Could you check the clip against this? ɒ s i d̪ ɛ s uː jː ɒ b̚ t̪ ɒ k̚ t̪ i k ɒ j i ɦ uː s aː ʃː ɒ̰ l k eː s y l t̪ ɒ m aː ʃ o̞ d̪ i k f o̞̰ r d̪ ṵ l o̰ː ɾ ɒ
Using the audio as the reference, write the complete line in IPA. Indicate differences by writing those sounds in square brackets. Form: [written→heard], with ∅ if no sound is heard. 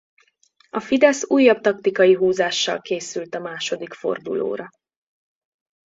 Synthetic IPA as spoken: ɒ [s→f] i d̪ ɛ s uː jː ɒ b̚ t̪ ɒ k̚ t̪ i k ɒ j i ɦ uː [s→z] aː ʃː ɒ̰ l k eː s y l t̪ ɒ m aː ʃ o̞ d̪ i k f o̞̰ r d̪ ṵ l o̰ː ɾ ɒ